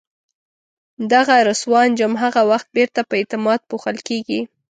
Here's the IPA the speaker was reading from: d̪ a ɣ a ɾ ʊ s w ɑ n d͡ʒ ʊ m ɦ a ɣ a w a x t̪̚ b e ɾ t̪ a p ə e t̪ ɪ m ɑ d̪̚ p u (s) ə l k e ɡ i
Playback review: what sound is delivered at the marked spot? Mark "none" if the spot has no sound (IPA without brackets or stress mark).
x